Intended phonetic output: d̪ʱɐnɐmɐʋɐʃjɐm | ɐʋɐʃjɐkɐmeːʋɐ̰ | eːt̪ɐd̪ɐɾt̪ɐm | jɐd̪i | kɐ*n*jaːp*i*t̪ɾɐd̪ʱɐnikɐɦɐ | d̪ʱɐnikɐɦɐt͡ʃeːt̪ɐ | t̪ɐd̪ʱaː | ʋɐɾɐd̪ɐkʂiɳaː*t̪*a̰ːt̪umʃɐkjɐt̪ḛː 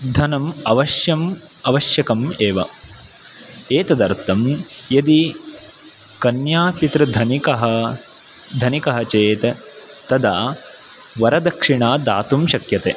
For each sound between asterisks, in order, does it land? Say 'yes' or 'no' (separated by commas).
yes, yes, no